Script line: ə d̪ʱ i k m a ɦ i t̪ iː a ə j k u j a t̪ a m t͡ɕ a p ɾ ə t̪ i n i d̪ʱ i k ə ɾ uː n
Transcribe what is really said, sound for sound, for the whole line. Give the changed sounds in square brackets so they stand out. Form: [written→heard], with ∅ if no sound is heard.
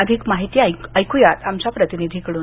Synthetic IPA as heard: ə d̪ʱ i k m a ɦ i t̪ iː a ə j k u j a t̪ a m t͡ɕ a p ɾ ə t̪ i n i d̪ʱ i k ə [ɾ→ɽ] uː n